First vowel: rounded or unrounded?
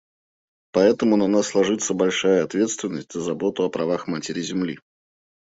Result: unrounded